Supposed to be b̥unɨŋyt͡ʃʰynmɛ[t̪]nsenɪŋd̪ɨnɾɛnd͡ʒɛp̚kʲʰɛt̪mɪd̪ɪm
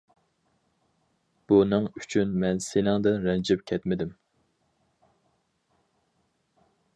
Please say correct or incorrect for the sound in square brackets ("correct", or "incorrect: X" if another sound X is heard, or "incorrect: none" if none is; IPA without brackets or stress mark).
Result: incorrect: none